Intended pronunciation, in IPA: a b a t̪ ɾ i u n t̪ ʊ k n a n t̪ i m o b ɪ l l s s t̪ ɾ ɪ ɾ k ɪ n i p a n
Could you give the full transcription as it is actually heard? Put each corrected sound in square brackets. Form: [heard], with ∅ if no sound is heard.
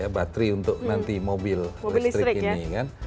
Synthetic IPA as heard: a b a t̪ ɾ i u n t̪ ʊ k n a n t̪ i m o b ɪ l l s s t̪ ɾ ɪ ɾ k [i] n i [k] a n